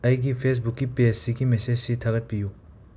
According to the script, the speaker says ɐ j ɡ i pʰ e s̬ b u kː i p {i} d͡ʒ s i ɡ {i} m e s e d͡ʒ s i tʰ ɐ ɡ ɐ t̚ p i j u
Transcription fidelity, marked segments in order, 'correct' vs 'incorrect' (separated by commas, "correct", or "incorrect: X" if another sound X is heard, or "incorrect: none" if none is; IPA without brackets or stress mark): incorrect: e, correct